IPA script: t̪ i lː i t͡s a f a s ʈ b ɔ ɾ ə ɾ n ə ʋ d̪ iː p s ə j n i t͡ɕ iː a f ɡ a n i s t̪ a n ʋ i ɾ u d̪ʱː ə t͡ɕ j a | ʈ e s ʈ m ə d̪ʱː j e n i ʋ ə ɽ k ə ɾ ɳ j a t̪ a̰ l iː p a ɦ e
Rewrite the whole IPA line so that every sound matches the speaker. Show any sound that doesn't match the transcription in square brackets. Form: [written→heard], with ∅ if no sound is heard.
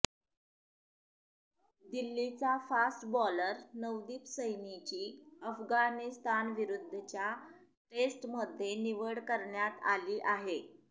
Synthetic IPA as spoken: [t̪→d̪] i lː i t͡s a f a s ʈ b ɔ [ɾ→l] ə ɾ n ə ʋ d̪ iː p s ə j n i t͡ɕ iː [a→ə] f ɡ a n i s t̪ a n ʋ i ɾ u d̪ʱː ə t͡ɕ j a | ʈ e s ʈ m ə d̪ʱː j e n i ʋ ə ɽ k ə ɾ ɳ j a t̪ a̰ l iː [p→ʔ] a ɦ e